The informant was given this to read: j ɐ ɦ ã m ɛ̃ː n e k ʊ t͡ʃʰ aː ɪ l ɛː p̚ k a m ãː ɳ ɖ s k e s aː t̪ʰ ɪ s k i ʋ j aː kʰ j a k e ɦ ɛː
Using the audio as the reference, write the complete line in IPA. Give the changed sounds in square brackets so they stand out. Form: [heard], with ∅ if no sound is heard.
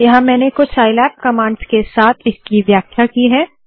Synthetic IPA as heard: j ɐ ɦ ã m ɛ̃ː n e k ʊ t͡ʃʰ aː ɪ l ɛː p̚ k [ɐ] m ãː ɳ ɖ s k e s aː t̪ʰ ɪ s k i ʋ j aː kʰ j a k [i] ɦ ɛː